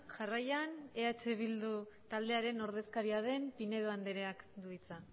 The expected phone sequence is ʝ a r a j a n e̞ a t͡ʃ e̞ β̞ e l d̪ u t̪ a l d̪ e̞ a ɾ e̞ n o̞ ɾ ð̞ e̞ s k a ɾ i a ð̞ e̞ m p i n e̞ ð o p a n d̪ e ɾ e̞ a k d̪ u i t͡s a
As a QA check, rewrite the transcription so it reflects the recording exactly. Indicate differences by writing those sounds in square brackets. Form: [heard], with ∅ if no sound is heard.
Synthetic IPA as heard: ʝ a r a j a n e̞ a t͡ʃ e̞ β̞ [i] l d̪ u t̪ a l d̪ e̞ a ɾ e̞ n o̞ ɾ ð̞ e̞ s k a ɾ i a ð̞ e̞ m p i n e̞ ð o [∅] a n d̪ e ɾ e̞ a k d̪ u i t͡s a